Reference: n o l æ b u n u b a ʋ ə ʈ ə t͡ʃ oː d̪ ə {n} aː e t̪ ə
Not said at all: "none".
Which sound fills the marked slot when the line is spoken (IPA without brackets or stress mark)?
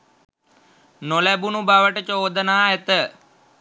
n